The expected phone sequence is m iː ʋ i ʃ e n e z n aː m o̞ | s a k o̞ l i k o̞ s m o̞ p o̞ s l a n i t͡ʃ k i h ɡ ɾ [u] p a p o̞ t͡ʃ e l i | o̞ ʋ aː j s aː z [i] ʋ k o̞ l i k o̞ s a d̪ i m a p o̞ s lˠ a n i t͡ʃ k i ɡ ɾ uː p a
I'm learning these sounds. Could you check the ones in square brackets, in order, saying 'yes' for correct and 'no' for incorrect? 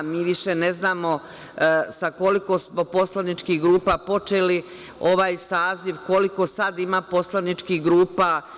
no, yes

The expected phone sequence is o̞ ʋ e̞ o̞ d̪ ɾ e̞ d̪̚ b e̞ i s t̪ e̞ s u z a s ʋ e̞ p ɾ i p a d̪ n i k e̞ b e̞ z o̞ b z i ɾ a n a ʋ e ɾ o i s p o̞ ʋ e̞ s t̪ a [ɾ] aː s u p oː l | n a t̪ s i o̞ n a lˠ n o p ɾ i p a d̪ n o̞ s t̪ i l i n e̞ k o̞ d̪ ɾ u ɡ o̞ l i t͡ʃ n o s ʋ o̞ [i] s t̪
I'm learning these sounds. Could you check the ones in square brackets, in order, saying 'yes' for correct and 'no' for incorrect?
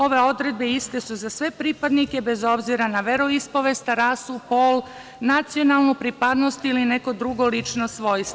yes, no

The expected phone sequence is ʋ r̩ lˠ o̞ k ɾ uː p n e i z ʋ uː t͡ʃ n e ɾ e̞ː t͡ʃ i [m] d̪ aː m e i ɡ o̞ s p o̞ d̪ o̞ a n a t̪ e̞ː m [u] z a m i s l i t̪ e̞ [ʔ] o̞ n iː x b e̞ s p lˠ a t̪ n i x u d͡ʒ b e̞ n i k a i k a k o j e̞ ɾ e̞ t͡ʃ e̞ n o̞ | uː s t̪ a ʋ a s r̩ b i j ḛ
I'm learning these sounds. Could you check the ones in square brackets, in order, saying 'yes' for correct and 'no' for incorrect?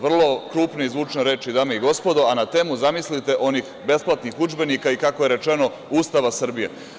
no, yes, yes

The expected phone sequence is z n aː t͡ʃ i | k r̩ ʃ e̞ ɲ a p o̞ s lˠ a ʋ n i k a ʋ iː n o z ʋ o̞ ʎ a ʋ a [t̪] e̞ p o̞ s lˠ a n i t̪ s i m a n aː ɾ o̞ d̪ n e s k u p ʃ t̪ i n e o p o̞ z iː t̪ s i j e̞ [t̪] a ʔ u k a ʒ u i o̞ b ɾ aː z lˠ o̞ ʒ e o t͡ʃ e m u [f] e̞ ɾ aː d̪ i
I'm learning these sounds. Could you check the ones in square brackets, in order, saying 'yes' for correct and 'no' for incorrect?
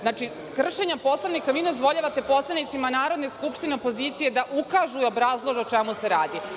yes, no, no

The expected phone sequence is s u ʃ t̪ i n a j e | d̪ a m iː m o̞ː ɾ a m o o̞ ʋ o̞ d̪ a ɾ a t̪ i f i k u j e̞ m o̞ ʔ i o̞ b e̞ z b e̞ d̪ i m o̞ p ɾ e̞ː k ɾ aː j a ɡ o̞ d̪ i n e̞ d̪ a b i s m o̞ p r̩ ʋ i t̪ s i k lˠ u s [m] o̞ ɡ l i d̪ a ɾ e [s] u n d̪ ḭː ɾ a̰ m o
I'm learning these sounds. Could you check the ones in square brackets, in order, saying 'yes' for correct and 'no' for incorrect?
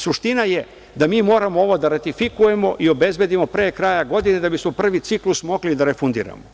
yes, no

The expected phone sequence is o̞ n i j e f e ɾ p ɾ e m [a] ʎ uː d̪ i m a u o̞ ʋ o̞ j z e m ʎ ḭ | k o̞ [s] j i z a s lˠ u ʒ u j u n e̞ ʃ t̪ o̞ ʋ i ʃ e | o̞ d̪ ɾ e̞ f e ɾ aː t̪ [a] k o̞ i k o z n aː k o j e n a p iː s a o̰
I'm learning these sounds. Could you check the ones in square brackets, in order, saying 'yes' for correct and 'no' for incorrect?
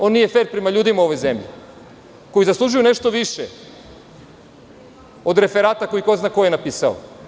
yes, no, yes

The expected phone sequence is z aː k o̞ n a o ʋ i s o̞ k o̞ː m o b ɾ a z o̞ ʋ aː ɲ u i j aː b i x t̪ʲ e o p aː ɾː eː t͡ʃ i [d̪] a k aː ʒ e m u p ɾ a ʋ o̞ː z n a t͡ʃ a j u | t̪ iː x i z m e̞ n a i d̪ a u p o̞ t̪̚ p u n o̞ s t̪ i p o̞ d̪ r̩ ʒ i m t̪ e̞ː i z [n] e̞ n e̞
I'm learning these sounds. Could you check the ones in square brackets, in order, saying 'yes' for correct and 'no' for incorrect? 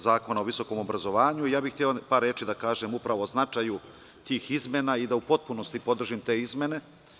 yes, no

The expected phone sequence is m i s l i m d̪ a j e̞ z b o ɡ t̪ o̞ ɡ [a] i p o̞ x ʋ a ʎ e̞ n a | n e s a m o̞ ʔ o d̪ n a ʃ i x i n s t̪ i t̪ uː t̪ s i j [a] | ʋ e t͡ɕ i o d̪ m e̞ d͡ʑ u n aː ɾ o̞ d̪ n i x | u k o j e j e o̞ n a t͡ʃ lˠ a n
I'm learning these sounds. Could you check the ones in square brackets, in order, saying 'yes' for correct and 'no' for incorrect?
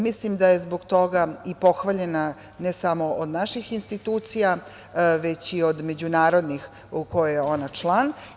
yes, yes

